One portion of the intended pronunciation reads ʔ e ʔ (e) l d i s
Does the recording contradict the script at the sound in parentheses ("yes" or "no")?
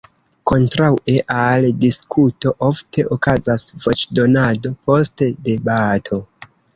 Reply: yes